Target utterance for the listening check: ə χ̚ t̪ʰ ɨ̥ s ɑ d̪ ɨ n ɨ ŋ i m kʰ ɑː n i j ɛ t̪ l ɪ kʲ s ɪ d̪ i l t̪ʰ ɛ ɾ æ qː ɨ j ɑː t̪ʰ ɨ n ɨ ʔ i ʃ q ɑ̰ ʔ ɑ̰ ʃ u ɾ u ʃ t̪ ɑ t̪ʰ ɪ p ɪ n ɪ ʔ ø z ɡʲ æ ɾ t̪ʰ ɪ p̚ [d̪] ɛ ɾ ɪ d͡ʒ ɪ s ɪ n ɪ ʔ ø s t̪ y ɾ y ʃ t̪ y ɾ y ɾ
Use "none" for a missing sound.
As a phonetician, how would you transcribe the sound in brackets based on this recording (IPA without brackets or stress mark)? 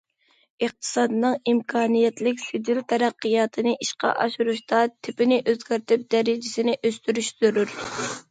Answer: d̪